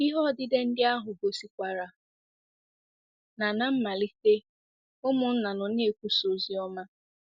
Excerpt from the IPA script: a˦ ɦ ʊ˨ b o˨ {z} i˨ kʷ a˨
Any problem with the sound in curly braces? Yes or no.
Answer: yes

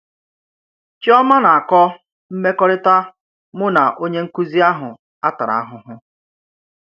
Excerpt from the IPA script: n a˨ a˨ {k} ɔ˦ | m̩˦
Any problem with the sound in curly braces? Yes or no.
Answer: no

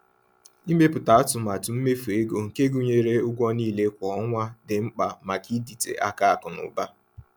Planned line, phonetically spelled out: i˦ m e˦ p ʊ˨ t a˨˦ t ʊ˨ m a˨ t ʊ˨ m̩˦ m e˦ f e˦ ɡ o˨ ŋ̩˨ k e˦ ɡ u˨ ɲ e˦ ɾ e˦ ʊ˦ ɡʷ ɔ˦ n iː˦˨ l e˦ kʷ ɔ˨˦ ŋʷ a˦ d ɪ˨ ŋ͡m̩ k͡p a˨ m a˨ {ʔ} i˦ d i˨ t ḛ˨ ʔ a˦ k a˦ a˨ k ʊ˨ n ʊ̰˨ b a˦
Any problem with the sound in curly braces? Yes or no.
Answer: yes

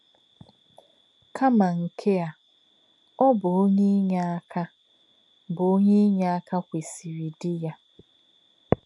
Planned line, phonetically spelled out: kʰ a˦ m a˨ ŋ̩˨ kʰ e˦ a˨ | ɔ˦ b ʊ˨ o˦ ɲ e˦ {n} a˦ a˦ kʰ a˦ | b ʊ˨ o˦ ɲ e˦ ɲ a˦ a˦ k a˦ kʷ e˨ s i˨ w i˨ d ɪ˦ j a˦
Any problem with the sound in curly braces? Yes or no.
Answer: yes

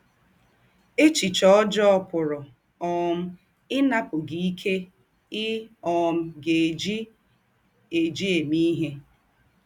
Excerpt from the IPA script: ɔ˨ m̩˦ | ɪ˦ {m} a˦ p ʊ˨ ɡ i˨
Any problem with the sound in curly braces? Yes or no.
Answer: yes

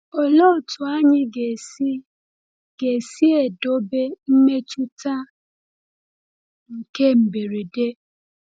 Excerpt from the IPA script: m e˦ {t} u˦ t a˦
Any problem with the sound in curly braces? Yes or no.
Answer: yes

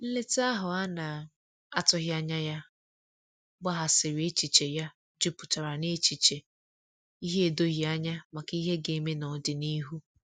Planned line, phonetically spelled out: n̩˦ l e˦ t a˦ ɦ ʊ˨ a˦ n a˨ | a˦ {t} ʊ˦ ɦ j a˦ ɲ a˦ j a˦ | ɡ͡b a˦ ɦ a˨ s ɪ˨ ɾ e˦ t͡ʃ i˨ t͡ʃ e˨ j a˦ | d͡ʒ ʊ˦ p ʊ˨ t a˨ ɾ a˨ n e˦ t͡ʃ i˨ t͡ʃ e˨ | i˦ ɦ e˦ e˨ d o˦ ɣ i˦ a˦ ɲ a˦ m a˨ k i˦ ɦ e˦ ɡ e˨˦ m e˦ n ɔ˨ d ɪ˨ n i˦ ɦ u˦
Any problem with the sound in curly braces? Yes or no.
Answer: no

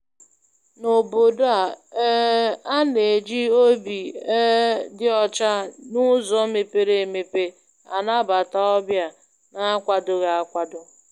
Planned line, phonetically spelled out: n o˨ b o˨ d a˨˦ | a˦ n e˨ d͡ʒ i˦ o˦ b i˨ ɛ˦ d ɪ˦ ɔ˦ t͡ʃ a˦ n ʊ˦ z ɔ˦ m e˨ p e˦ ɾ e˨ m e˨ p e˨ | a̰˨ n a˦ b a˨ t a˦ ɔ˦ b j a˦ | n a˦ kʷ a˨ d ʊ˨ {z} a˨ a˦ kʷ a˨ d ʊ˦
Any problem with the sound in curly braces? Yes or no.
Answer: yes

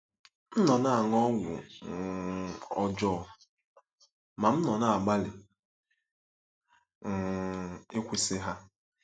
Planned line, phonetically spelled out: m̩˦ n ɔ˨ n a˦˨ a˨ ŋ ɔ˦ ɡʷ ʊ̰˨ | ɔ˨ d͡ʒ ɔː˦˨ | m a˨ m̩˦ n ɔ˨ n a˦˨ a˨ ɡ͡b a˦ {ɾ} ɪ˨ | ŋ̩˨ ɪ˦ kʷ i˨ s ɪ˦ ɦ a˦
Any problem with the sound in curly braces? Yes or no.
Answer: yes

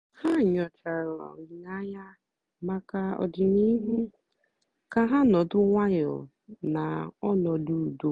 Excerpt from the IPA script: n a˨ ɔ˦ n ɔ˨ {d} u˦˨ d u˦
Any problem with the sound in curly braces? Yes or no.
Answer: no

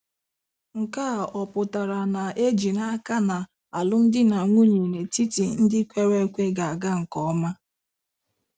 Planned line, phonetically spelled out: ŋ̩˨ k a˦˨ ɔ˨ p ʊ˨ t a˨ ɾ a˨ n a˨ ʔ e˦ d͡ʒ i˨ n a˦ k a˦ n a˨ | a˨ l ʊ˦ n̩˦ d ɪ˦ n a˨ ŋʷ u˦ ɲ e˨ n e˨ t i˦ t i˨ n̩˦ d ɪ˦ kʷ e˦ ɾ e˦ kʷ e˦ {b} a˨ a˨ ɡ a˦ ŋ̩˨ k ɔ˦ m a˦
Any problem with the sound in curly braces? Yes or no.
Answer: yes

